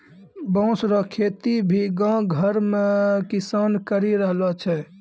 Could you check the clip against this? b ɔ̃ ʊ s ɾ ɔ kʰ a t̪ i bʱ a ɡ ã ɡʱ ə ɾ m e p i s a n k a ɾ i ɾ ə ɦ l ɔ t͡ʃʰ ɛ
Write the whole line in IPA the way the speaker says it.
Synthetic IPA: b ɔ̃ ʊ s ɾ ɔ kʰ e t̪ i bʱ i ɡ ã ɡʱ ə ɾ m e k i s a n k ə ɾ i ɾ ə ɦ l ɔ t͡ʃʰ ɛ

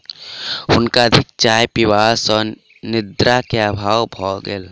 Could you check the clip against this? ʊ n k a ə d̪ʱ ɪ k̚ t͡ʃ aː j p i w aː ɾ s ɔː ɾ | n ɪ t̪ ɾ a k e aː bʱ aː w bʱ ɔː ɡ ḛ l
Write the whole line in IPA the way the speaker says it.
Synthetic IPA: ʊ n k a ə d̪ʱ ɪ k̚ t͡ʃ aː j p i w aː s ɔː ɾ | n ɪ d̪ ɾ a k e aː bʱ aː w bʱ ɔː ɡ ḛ l

